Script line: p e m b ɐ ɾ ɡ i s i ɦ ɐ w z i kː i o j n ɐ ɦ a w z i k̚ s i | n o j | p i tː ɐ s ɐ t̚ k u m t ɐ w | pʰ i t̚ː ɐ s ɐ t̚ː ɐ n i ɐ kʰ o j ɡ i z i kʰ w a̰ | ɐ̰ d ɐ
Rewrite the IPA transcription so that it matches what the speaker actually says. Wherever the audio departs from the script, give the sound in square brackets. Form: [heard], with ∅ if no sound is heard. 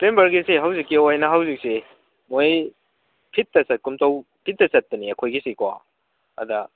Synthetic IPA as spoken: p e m b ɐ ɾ ɡ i s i ɦ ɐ w z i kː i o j n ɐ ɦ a w z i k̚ s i | [m] o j | [pʰ] i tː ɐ s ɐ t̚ k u m t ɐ w | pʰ i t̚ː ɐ s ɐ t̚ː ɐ n i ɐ kʰ o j ɡ i [s] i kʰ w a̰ | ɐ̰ d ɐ